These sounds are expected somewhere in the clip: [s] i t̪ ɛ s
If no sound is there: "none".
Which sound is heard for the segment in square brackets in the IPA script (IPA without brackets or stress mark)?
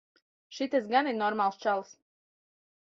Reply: ʃ